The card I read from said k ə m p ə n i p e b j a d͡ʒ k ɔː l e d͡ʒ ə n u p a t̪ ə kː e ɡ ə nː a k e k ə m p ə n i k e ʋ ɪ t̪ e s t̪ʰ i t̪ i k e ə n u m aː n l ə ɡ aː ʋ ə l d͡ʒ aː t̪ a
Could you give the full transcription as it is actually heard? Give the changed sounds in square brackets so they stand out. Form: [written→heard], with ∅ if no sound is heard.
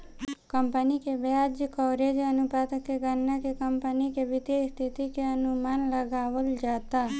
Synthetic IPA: k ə m p ə n i [p→k] e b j a d͡ʒ k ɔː [l→ɾ] e d͡ʒ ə n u p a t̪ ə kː e ɡ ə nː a k e k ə m p ə n i k e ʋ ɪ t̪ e s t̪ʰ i t̪ i k e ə n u m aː n l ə ɡ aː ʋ ə l d͡ʒ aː t̪ a